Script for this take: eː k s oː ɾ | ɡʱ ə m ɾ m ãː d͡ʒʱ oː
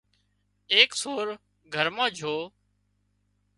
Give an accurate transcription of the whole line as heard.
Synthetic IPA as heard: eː k s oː ɾ | ɡʱ ə ɾ m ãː d͡ʒʱ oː